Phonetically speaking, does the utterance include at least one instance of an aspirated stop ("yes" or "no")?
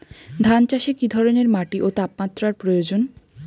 no